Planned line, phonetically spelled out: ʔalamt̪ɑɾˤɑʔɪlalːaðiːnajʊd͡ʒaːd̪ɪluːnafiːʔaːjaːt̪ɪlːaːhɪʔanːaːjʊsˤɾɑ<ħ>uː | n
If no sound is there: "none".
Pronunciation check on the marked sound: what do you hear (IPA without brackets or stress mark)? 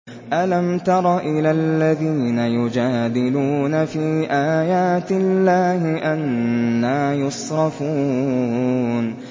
f